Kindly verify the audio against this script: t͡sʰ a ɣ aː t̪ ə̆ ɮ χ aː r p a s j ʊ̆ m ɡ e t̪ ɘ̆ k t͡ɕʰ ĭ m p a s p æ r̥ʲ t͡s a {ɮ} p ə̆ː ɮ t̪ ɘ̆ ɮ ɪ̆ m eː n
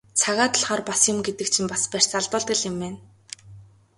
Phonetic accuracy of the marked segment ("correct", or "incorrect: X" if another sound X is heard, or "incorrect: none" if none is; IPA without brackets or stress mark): correct